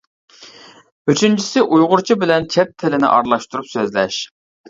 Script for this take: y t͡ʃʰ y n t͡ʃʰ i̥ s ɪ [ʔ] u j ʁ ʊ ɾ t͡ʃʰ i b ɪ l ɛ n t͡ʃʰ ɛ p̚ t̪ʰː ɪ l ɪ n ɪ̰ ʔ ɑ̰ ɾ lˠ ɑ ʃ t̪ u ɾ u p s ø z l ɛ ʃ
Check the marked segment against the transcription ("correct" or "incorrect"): correct